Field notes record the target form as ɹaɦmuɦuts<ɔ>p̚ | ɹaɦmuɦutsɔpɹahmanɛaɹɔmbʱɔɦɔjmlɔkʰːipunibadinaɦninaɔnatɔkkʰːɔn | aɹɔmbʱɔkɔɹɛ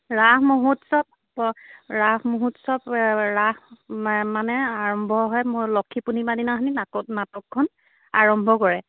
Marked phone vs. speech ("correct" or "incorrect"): correct